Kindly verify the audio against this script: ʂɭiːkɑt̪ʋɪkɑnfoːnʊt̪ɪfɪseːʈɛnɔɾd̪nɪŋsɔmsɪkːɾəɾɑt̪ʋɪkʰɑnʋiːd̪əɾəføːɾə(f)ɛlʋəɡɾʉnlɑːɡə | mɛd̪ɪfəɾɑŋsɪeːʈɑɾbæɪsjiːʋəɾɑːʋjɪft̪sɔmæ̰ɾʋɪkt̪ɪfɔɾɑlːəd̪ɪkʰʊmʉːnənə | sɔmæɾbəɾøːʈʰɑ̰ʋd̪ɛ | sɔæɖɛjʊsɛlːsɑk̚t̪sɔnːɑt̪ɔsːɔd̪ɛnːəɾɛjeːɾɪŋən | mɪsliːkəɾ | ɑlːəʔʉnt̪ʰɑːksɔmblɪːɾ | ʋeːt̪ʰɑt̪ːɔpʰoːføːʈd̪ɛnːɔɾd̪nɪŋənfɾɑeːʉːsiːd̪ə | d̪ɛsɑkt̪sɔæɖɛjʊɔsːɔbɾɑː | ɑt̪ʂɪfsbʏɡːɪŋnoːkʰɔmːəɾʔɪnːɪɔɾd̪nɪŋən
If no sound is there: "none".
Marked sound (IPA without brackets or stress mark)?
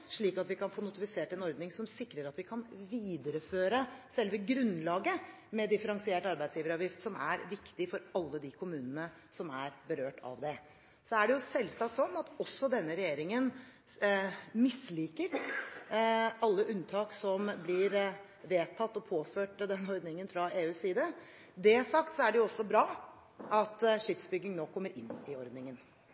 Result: s